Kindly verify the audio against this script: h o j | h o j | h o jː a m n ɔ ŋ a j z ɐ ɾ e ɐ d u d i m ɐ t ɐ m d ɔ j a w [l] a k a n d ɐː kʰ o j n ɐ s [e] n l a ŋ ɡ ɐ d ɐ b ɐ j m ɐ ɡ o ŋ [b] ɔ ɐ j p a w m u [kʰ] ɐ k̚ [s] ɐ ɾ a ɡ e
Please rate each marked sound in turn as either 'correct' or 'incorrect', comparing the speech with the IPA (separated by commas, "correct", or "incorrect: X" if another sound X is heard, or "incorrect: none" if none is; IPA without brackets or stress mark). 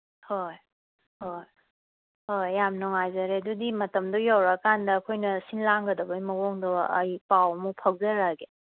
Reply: incorrect: ɾ, incorrect: i, incorrect: d, incorrect: pʰ, incorrect: z